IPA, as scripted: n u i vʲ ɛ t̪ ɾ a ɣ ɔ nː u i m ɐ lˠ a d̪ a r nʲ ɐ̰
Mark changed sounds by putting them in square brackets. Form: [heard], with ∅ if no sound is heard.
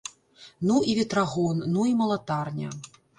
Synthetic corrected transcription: n u i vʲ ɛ t̪ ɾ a ɣ ɔ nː u i m ɐ lˠ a [t̪] a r nʲ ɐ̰